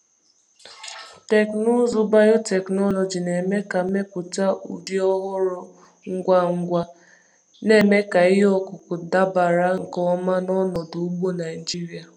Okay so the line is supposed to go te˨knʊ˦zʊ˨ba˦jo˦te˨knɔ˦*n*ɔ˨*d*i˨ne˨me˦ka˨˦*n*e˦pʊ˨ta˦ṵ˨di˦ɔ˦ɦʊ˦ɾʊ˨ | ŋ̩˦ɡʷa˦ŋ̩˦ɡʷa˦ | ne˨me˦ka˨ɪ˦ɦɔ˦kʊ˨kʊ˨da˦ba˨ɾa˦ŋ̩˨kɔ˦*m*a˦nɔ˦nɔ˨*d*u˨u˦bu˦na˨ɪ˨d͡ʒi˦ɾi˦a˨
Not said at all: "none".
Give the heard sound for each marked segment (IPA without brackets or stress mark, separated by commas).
n, d͡ʒ, m, m, d